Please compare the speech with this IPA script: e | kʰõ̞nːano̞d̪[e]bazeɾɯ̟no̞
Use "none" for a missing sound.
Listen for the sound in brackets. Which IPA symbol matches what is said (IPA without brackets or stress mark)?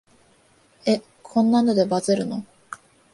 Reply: e